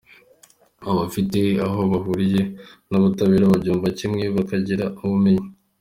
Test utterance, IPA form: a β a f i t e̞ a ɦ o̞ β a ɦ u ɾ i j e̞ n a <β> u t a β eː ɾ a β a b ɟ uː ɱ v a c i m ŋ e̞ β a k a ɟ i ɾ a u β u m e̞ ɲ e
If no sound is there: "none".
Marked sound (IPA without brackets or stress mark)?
β